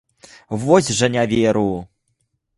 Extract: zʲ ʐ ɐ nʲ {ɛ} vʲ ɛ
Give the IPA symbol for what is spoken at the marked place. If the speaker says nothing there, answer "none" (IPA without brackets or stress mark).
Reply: a